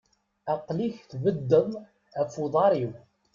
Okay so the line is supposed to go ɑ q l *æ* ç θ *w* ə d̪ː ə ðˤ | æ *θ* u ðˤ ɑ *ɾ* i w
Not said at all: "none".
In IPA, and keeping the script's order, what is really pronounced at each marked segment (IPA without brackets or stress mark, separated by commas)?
i, v, f, ɾ